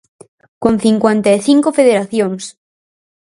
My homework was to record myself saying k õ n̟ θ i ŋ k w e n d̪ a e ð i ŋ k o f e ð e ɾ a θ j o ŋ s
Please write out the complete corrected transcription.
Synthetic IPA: k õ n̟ θ i ŋ k w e n t̪ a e θ i ŋ k o f e ð e ɾ a θ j o ŋ s